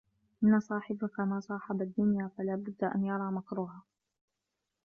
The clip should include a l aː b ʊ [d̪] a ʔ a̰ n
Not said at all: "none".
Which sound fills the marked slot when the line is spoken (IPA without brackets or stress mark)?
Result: d̪ː